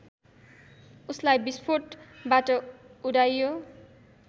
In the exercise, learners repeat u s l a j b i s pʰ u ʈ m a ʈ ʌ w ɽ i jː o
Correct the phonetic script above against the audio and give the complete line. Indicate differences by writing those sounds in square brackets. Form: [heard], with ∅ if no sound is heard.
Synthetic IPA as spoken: u s l a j b i s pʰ [o] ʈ [b] a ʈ ʌ [u] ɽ [a] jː o